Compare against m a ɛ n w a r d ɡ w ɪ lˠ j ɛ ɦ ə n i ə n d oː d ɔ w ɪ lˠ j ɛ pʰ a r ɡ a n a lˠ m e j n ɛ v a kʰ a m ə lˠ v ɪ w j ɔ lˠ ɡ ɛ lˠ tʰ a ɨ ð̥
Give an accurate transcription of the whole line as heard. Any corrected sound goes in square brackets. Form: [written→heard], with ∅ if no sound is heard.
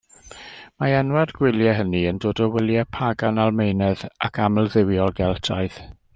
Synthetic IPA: m a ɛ n w a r d ɡ w ɪ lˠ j ɛ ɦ ə n i ə n d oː d ɔ w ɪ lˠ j ɛ pʰ a [r→∅] ɡ a n a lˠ m e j n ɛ [v→ð] a kʰ a m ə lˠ [v→ð] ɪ w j ɔ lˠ ɡ ɛ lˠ tʰ a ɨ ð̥